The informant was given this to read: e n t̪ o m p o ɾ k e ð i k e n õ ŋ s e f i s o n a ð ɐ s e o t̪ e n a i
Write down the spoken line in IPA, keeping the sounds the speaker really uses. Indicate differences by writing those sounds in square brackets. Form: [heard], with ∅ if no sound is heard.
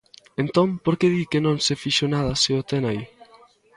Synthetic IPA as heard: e n t̪ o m p o ɾ k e ð i k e n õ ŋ s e f i [ʃ] o n a ð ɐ s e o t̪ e n a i